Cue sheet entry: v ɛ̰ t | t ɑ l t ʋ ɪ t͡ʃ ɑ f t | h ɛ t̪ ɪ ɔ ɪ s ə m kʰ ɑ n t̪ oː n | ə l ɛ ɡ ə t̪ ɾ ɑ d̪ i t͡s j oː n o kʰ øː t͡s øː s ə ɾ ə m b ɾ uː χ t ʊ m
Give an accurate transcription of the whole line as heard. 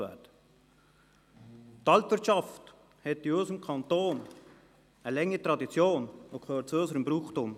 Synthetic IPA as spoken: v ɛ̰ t | t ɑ l t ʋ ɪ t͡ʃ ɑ f t | h ɛ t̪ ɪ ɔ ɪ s ə m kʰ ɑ n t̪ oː n | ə l ɛ ŋ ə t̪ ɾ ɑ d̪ i t͡s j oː n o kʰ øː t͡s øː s ə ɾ ə m b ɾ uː χ t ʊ m